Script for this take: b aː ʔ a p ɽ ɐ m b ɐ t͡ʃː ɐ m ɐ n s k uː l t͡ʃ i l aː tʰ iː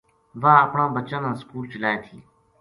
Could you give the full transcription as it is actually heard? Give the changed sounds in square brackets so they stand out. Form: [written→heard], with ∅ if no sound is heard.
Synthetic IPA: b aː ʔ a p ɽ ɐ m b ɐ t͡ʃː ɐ [m→n] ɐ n s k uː l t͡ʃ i l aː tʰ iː